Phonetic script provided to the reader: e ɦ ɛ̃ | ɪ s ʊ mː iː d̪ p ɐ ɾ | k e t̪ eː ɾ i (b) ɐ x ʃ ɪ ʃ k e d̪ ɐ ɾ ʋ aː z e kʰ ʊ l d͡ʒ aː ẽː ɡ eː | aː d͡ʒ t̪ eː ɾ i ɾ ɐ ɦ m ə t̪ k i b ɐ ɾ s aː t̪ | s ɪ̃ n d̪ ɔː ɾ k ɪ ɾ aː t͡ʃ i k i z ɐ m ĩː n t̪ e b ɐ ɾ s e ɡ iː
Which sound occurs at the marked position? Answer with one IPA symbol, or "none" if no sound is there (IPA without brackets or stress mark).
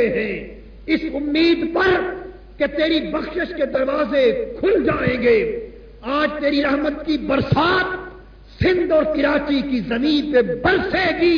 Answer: b